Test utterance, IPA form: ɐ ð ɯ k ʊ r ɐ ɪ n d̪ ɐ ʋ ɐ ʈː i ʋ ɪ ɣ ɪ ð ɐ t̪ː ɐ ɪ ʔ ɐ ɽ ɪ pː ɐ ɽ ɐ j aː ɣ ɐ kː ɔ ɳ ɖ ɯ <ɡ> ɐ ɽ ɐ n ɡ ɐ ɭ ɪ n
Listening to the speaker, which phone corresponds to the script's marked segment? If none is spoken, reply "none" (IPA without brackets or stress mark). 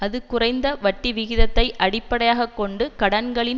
k